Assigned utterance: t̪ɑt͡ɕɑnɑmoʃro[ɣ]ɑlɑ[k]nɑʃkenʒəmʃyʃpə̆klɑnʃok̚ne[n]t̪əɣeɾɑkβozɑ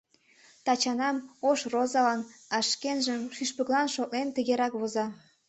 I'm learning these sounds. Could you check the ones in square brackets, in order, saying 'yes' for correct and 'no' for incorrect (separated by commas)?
no, no, yes